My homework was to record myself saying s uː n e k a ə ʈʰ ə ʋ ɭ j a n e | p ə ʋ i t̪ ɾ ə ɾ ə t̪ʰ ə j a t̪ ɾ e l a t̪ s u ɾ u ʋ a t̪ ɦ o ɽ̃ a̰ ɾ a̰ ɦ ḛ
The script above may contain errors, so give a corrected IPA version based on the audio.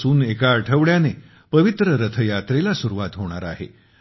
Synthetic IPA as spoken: s uː n e k a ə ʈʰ ə ʋ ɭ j a n e | p ə ʋ i t̪ ɾ ə ɾ ə t̪ʰ ə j a t̪ ɾ e l a s u ɾ u ʋ a t̪ ɦ o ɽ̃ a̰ ɾ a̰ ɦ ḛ